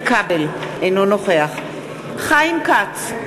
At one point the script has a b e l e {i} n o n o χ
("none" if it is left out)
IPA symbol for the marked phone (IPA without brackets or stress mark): j